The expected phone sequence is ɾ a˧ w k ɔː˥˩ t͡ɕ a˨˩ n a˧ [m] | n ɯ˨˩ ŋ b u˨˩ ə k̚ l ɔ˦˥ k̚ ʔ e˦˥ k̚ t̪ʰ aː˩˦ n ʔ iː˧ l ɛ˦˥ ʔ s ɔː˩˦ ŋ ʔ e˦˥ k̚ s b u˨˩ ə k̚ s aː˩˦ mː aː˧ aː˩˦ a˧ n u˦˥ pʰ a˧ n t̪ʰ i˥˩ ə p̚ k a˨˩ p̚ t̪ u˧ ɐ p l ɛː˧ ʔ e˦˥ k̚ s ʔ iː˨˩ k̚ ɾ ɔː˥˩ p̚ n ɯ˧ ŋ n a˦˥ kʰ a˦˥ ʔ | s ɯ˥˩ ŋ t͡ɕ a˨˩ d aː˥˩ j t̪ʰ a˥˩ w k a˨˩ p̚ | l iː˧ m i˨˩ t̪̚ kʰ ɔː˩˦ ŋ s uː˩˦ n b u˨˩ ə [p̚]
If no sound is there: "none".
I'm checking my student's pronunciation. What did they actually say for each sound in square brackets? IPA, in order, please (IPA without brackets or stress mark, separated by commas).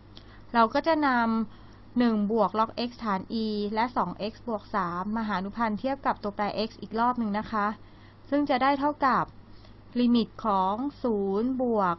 m, k̚